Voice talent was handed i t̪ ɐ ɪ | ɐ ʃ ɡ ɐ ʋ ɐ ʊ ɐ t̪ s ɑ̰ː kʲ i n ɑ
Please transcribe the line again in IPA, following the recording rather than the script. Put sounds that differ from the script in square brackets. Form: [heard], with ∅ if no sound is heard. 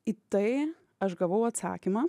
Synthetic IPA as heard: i t̪ ɐ ɪ | ɐ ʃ ɡ ɐ ʋ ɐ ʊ ɐ t̪ s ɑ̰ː kʲ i [m] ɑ